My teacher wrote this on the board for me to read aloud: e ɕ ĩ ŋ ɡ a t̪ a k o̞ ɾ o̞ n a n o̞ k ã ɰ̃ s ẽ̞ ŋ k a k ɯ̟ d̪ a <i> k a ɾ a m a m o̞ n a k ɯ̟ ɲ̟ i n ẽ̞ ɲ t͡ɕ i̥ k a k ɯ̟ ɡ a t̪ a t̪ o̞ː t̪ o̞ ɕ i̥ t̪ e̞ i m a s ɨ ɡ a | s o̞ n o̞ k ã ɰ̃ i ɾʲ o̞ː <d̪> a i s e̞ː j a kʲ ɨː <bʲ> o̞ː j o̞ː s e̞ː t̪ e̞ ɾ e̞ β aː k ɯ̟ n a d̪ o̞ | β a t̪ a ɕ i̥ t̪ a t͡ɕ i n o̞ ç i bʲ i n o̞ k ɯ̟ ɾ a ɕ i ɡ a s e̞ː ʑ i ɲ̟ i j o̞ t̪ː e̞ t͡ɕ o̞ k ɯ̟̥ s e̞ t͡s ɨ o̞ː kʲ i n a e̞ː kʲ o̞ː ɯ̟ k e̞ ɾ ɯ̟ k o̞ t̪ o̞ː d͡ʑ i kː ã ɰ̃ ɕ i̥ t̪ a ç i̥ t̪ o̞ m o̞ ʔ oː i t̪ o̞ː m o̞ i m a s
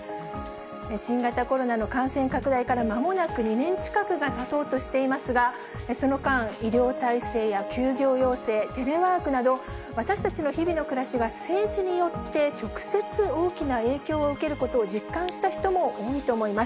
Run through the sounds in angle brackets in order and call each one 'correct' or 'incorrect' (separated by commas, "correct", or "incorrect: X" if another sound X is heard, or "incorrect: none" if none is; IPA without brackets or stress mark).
correct, incorrect: t̪, incorrect: ɡʲ